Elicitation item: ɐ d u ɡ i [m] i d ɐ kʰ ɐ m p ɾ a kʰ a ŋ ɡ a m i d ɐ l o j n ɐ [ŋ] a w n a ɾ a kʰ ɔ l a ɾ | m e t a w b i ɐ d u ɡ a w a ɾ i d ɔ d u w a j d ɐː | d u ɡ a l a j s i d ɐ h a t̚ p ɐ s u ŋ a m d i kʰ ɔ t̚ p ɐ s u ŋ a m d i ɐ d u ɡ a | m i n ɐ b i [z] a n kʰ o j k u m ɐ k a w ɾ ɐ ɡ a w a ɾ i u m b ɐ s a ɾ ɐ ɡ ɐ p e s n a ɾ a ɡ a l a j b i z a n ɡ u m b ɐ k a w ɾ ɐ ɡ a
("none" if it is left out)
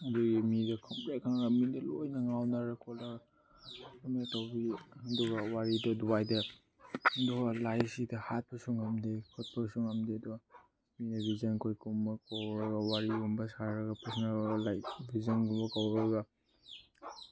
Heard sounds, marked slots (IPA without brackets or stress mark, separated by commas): m, ŋ, z